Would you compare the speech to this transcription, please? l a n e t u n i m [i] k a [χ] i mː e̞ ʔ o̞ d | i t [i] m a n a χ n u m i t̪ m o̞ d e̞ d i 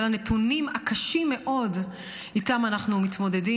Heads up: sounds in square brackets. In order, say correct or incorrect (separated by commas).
incorrect, incorrect, incorrect